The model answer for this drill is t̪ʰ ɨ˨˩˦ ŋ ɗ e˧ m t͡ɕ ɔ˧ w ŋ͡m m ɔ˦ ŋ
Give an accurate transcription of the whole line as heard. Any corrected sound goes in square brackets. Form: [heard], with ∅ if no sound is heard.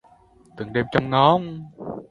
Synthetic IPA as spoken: [t̪] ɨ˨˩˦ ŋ ɗ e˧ m t͡ɕ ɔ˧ w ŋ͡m [ŋ] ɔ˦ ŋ